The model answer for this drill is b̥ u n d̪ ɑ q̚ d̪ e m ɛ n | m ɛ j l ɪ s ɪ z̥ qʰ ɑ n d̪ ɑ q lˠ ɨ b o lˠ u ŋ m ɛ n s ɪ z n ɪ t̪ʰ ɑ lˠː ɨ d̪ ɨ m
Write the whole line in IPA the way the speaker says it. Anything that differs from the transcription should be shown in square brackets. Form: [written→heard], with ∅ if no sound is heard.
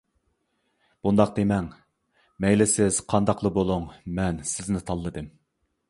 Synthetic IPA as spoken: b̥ u n d̪ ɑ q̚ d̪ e m ɛ [n→ŋ] | m ɛ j l ɪ s ɪ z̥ qʰ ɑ n d̪ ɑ q lˠ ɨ b o lˠ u ŋ m ɛ n s ɪ z n ɪ t̪ʰ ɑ lˠː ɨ d̪ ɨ m